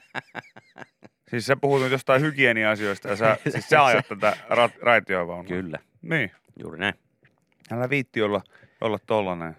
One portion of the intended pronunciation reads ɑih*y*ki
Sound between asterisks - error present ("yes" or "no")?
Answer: no